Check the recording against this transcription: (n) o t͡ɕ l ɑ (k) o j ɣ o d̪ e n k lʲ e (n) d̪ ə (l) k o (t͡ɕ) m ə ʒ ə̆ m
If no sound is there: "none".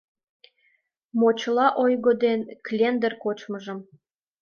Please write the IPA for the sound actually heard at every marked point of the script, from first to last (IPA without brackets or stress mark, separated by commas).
m, ʔ, n, r, t͡ɕ